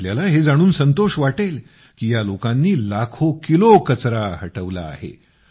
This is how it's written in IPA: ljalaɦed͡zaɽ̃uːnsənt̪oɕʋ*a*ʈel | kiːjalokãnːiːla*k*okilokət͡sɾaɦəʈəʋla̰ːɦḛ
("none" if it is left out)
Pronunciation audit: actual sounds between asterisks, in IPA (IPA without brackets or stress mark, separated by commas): a, kʰ